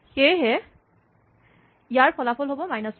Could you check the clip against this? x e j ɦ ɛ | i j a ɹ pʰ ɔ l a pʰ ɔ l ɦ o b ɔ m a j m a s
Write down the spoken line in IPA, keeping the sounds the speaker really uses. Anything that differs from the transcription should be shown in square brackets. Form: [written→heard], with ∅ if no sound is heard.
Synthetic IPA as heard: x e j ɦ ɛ | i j a ɹ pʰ ɔ l a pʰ ɔ l ɦ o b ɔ m a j [m→n] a s